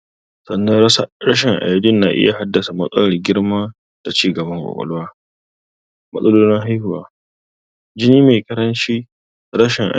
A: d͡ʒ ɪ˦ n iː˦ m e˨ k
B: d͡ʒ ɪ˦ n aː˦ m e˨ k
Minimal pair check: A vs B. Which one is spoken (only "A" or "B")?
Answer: A